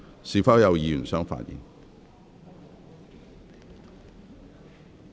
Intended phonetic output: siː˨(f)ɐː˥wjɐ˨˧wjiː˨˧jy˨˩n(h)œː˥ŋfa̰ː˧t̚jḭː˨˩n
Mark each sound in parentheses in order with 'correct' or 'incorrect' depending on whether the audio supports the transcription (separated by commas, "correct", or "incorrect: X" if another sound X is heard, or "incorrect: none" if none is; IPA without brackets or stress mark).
correct, incorrect: s